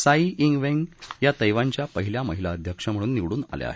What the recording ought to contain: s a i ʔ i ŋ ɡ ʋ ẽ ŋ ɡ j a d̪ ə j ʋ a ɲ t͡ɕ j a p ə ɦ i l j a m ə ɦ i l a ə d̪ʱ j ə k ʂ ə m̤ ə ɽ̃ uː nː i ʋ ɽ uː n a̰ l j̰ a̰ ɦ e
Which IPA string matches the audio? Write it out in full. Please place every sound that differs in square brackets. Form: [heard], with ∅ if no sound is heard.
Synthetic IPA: s a i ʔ i ŋ ɡ ʋ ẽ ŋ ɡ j a [t̪] ə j ʋ a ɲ t͡ɕ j a p ə ɦ i l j a m ə ɦ i l a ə d̪ʱ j ə k ʂ ə m̤ ə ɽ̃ uː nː i ʋ ɽ uː n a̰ l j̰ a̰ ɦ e